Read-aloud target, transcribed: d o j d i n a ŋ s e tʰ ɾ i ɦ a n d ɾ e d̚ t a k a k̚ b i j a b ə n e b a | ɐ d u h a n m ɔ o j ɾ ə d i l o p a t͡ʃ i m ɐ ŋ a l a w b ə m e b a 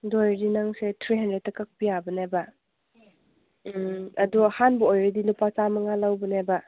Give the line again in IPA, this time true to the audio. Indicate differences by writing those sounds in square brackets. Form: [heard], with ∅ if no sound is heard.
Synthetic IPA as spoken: d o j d i n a ŋ s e tʰ ɾ i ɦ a n d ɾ e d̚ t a k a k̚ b i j a b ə n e b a | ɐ d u h a n [b] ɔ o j ɾ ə d i l [u] p a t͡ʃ [a] m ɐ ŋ a l a w b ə [n] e b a